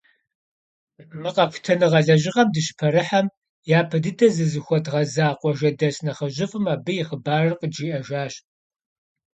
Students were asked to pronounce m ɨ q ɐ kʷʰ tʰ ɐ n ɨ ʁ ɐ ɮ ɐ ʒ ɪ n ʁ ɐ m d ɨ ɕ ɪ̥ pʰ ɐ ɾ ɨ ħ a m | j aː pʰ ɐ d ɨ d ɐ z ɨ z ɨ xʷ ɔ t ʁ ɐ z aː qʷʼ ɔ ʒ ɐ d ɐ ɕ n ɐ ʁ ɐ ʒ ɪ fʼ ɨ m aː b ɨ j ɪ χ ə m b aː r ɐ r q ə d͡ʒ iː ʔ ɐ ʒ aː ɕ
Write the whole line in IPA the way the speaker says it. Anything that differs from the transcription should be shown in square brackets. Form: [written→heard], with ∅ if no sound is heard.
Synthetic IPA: m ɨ q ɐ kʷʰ tʰ ɐ n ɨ ʁ ɐ ɮ ɐ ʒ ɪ [n→∅] ʁ ɐ m d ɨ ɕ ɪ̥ pʰ ɐ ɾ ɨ ħ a m | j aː pʰ ɐ d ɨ d ɐ z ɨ z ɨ xʷ ɔ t ʁ ɐ z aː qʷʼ ɔ ʒ ɐ d ɐ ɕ n ɐ [ʁ→χ] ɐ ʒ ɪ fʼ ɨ m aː b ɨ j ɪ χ ə [m→∅] b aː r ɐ r q ə d͡ʒ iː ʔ ɐ ʒ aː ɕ